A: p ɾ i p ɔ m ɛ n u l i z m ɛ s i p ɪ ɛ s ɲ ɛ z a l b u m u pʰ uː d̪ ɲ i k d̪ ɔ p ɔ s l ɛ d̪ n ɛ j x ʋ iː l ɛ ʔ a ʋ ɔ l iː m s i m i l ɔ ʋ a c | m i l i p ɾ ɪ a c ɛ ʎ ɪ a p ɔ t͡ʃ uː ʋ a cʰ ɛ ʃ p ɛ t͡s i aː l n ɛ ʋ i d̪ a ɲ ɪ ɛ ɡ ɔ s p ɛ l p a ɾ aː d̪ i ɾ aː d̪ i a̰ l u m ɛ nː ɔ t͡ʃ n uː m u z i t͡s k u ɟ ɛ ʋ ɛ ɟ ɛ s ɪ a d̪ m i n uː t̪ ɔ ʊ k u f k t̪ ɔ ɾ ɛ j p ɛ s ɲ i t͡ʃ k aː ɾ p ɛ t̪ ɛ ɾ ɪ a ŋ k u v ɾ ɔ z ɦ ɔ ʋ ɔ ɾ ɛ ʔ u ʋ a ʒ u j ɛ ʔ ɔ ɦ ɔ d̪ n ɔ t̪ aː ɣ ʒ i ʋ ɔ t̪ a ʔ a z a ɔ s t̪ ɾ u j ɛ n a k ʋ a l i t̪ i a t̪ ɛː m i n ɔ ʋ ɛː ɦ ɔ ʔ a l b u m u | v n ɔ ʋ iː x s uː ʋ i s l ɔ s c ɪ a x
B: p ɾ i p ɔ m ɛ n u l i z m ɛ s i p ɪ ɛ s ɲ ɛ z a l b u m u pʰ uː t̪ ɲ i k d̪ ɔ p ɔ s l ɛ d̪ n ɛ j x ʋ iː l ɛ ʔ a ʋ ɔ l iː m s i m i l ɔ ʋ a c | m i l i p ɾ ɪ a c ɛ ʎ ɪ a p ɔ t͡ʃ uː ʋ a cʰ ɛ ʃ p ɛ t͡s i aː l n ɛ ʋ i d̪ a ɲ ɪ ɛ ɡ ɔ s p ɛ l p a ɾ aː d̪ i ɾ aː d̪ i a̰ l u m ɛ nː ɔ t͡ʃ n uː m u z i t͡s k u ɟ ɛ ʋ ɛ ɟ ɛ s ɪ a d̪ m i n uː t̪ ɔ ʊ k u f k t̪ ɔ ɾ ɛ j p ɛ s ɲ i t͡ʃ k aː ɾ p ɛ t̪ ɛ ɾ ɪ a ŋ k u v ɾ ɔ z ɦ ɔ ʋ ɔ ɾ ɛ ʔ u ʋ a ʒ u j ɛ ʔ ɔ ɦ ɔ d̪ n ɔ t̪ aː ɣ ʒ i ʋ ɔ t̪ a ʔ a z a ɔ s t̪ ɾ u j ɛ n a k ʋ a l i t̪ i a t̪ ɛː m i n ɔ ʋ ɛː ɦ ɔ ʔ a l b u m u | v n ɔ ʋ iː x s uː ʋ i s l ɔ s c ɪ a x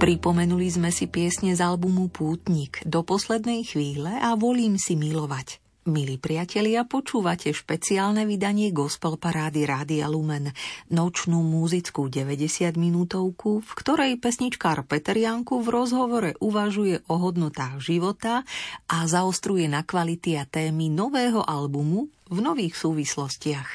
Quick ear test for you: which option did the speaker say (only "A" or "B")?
B